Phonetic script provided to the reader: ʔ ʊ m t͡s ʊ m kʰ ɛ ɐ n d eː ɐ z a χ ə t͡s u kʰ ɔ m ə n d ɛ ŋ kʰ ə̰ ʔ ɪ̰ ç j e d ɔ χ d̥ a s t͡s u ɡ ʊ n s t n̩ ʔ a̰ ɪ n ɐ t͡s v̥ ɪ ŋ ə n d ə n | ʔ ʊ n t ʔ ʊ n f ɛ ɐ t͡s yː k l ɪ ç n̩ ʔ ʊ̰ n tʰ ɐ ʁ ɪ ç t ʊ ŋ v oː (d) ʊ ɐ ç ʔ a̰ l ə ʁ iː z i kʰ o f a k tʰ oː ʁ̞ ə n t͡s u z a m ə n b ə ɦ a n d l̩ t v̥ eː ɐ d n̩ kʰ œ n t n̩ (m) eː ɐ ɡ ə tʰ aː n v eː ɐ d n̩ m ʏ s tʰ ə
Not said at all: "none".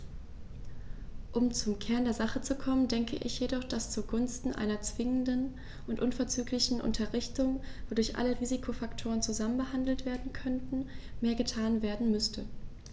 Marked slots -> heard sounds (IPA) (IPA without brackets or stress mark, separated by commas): d, m